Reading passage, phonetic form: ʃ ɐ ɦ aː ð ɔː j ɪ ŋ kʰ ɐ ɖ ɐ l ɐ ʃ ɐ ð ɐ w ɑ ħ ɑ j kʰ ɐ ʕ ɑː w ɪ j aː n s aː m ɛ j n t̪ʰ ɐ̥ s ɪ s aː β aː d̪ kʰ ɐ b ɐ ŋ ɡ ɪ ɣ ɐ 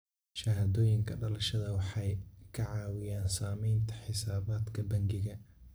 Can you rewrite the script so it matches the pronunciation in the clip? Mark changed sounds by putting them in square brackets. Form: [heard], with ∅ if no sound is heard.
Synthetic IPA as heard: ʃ ɐ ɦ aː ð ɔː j ɪ ŋ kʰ ɐ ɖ ɐ l ɐ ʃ ɐ ð ɐ w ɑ ħ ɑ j kʰ ɐ ʕ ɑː w ɪ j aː n s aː m ɛ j n t̪ʰ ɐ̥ [ħ] ɪ s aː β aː d̪ kʰ ɐ b ɐ ŋ ɡ ɪ ɣ ɐ